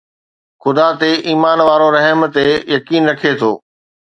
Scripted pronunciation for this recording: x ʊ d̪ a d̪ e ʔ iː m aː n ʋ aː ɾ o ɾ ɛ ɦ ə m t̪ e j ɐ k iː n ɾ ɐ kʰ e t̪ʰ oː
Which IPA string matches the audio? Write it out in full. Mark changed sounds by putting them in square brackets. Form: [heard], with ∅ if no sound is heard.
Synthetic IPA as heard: x ʊ d̪ a [t̪] e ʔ iː m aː n ʋ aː ɾ o ɾ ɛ ɦ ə m t̪ e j ɐ k iː n ɾ ɐ kʰ e t̪ʰ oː